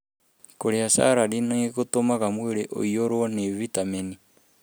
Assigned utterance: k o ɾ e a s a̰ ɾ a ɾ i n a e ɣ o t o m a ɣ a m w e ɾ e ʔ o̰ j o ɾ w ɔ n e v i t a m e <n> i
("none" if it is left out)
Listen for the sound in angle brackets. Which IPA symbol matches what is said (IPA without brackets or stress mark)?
n